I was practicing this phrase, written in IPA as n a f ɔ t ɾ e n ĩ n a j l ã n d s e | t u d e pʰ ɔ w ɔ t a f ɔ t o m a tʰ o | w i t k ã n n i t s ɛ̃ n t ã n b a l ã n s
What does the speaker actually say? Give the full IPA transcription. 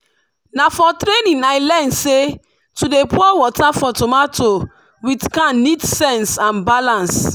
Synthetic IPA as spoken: n a f ɔ t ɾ e n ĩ n a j l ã n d s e | t u d e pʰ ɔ w ɔ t a f ɔ t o m a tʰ o | w i t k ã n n i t s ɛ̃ n s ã n b a l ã n s